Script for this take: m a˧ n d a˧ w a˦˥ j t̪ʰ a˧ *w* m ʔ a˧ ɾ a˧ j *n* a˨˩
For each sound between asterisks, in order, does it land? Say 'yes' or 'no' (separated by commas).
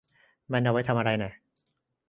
no, yes